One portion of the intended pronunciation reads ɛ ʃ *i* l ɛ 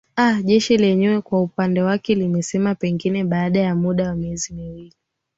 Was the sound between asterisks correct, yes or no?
yes